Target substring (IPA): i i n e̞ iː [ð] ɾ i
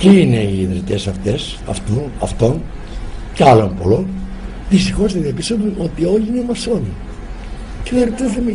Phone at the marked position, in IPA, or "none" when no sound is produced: ð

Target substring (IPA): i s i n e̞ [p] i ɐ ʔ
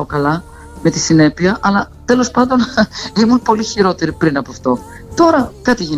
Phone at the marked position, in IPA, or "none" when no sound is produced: p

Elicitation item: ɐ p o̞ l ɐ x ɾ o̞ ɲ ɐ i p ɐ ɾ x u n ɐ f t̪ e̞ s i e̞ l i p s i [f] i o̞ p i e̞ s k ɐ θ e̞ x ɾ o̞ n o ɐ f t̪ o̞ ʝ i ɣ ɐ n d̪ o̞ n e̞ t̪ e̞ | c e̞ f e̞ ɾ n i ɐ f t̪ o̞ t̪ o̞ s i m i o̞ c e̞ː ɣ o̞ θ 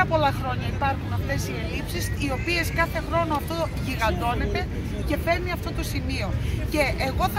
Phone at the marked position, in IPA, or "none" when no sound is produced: s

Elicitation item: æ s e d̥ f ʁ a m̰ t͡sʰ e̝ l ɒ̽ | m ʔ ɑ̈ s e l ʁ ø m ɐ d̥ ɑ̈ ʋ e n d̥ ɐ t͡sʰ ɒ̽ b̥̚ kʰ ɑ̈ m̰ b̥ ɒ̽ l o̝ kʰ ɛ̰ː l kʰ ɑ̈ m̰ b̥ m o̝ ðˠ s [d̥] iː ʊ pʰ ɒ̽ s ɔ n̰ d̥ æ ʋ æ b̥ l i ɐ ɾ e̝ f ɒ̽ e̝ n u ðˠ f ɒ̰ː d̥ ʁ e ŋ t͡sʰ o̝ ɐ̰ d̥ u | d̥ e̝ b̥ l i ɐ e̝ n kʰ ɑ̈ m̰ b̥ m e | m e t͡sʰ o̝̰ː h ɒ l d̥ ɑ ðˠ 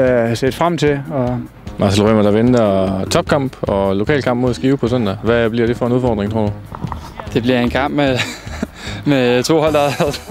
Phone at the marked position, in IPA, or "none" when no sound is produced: ɡ̥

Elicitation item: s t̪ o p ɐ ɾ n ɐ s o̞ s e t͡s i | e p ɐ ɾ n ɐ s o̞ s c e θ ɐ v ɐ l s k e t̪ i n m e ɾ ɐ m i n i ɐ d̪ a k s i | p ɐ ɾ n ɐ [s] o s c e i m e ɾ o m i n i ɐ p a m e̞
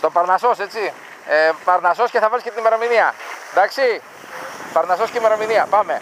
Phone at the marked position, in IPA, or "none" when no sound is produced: s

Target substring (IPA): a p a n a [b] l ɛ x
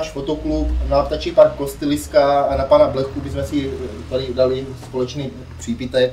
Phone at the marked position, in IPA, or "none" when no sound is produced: b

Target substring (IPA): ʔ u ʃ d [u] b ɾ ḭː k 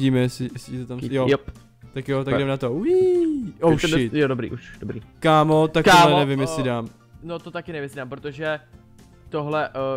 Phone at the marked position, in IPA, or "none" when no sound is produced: o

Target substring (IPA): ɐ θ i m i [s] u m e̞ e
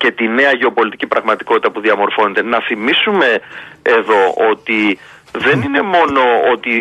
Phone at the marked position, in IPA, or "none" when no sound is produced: s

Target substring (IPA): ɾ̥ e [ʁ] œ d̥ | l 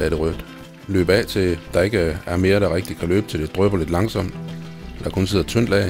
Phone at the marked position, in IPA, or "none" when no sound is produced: ʁ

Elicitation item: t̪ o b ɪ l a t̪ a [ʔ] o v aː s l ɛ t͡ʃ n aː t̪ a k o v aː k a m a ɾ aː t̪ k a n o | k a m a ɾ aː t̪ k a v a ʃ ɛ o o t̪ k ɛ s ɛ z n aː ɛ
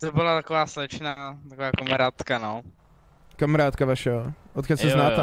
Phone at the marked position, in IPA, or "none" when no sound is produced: k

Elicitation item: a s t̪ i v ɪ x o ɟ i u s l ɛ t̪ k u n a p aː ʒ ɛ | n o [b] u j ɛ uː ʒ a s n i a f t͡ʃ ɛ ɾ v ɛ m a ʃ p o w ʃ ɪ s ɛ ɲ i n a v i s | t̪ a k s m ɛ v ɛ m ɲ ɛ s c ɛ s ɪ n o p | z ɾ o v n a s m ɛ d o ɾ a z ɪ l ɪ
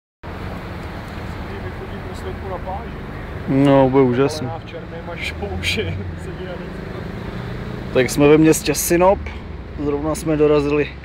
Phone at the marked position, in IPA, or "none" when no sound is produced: b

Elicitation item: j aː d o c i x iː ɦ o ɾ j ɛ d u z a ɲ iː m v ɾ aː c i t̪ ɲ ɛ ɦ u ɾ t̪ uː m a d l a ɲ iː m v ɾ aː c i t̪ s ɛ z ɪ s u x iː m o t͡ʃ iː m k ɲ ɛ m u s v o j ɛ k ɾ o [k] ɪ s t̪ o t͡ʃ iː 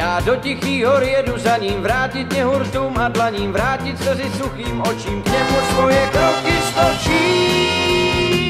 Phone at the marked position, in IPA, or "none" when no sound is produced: k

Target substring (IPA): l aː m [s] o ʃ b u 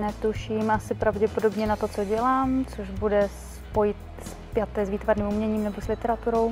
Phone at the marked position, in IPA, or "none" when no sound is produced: t͡s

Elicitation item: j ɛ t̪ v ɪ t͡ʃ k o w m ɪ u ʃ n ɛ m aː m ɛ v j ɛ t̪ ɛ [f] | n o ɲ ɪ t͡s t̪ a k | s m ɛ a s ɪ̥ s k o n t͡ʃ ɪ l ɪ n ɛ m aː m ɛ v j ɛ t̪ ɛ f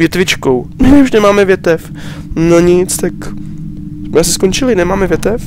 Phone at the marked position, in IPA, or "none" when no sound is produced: f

